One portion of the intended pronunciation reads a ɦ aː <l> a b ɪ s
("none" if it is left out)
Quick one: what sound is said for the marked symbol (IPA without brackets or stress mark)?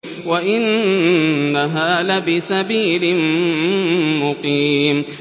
l